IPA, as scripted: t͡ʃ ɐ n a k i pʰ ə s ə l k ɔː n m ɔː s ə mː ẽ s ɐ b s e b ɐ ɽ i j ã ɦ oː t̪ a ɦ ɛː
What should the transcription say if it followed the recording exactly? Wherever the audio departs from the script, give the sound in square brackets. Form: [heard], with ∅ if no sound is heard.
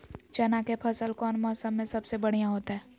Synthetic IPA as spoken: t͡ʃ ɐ n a k [e] pʰ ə s ə l k ɔː n m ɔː s ə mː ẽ s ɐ b s e b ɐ ɽ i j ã ɦ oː t̪ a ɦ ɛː